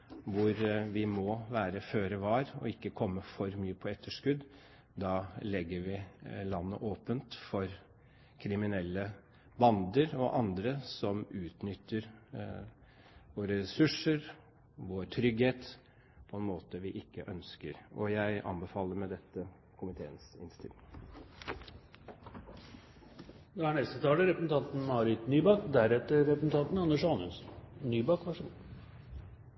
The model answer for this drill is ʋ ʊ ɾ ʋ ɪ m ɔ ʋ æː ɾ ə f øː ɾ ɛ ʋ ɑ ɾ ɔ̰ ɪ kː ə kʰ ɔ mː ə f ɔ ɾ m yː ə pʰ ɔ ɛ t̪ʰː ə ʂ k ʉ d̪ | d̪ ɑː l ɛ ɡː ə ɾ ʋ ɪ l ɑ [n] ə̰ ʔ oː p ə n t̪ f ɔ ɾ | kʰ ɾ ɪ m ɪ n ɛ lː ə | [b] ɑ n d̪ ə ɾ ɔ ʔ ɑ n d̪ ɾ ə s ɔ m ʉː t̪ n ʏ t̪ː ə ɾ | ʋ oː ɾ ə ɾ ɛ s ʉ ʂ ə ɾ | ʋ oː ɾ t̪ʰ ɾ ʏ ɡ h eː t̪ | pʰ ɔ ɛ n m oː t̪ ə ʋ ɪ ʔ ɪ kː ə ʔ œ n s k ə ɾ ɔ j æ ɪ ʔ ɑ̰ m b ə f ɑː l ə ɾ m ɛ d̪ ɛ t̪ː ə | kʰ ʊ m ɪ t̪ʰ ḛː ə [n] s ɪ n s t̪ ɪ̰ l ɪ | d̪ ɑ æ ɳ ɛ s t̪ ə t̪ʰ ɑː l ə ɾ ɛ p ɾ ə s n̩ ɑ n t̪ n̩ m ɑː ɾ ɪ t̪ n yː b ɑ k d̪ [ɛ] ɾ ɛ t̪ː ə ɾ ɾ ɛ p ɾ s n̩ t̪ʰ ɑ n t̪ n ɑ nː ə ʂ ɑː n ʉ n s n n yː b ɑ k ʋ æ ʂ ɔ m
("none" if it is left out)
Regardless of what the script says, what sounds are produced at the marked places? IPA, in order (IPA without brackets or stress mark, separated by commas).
nː, b, n, æ